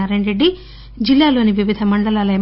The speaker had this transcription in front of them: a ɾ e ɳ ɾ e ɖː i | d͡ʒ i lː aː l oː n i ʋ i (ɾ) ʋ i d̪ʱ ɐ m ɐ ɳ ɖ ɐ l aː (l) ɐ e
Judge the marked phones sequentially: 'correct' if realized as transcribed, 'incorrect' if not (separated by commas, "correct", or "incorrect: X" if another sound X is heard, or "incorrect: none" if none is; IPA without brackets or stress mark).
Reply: incorrect: none, correct